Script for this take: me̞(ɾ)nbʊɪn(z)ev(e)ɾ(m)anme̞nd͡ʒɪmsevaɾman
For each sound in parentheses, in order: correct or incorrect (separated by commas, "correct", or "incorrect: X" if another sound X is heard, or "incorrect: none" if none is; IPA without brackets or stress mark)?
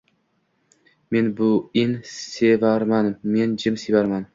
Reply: incorrect: none, incorrect: s, incorrect: a, correct